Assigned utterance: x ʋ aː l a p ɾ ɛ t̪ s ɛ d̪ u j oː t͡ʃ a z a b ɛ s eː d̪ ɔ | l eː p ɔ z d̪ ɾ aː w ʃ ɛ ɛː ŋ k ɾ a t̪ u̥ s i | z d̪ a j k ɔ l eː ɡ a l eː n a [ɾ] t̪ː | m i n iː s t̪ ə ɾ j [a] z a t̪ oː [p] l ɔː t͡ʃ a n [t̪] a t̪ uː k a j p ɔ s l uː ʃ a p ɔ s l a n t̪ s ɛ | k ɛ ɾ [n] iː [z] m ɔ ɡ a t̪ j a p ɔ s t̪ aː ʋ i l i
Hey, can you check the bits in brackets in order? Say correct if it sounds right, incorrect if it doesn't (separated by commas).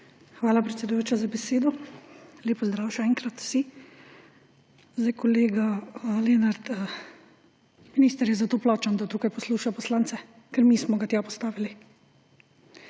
correct, incorrect, correct, incorrect, incorrect, incorrect